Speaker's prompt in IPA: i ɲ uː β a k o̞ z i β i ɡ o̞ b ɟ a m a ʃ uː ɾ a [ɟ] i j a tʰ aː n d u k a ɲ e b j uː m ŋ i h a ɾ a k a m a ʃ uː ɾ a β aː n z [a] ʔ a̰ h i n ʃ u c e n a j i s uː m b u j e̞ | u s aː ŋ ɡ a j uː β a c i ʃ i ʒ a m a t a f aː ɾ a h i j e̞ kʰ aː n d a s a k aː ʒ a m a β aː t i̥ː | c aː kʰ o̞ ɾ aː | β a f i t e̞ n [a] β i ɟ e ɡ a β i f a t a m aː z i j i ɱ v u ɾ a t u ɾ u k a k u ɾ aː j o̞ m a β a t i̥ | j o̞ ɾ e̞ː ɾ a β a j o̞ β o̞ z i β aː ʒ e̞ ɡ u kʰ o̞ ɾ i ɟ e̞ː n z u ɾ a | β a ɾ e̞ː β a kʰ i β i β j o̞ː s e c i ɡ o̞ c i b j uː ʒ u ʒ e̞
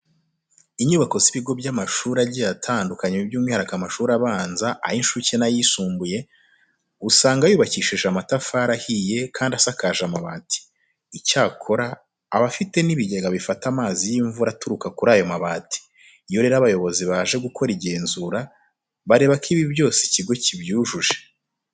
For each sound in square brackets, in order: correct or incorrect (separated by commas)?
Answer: correct, correct, incorrect